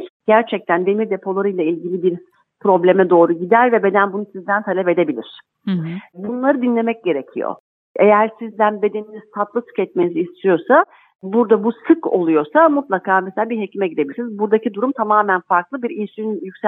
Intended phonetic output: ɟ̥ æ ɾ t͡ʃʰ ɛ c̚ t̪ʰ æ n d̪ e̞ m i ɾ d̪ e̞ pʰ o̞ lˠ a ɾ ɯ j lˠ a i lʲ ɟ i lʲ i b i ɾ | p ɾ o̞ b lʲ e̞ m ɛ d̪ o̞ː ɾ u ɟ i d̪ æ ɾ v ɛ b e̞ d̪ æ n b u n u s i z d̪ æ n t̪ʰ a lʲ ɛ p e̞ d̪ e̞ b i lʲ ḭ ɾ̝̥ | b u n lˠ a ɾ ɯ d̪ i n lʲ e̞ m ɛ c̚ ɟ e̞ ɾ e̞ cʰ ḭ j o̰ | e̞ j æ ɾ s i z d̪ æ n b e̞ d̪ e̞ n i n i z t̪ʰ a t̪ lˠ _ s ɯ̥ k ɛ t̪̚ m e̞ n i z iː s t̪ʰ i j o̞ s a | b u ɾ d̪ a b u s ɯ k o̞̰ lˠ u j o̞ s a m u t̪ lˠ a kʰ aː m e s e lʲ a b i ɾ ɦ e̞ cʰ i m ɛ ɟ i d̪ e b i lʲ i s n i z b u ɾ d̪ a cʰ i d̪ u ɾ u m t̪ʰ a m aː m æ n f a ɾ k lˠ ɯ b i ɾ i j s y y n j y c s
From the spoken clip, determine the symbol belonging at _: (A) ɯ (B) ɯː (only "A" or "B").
A